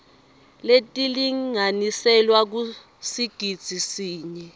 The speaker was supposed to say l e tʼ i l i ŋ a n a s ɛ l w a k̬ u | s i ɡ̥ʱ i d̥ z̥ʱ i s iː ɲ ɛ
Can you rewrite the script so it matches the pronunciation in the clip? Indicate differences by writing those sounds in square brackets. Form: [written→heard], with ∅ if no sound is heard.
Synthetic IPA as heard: l e tʼ i l i ŋ a n [a→i] s ɛ l w a k̬ u | s i ɡ̥ʱ i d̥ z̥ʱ i s iː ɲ ɛ